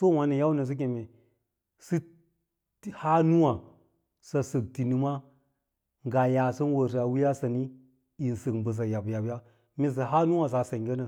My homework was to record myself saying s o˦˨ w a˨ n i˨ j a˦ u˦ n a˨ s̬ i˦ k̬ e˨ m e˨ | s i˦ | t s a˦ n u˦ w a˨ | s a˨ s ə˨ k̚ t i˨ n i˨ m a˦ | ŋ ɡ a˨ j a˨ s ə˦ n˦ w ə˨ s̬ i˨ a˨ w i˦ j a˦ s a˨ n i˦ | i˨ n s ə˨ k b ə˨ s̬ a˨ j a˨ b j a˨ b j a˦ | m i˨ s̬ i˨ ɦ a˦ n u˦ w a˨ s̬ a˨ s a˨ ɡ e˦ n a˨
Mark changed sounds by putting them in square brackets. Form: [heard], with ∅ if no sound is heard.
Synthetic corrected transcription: s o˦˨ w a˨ n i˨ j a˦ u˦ n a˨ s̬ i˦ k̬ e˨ m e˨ | s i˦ | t [h] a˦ n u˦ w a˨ | s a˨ s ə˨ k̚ t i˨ n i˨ m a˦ | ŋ ɡ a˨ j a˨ s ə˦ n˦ w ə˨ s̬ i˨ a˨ w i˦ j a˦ s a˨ n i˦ | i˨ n s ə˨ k b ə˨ s̬ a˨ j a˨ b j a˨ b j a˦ | m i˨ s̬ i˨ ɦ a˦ n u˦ w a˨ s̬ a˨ s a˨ ɡ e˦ n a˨